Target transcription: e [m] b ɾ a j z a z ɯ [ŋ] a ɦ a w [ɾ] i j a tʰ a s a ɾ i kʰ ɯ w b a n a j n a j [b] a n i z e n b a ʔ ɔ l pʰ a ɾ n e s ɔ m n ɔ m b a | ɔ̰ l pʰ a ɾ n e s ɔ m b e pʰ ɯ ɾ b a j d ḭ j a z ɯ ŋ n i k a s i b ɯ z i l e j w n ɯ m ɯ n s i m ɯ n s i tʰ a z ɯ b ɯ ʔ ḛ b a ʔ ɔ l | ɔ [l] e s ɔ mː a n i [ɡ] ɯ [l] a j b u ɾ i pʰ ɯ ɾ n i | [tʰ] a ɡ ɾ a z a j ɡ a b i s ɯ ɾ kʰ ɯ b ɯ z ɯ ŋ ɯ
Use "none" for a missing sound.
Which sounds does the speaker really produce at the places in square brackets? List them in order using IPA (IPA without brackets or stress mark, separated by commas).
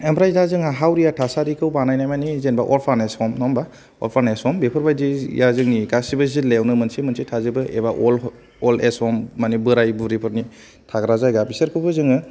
m, ŋ, ɾ, m, l, b, ɾ, tʰ